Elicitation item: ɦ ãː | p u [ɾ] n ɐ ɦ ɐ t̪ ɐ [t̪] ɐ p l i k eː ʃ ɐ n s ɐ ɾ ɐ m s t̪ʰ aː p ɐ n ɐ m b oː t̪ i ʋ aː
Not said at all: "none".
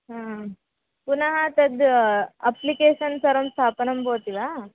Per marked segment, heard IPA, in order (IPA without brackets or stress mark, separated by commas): none, d̪